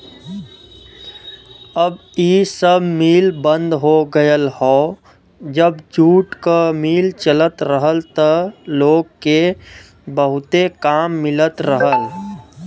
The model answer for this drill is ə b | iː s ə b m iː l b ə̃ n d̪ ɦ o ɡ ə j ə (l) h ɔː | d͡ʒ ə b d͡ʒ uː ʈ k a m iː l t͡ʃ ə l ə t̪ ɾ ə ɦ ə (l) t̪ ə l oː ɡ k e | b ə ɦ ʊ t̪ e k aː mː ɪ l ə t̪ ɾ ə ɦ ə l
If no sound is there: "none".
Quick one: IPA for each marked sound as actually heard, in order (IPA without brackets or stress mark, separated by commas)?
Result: l, l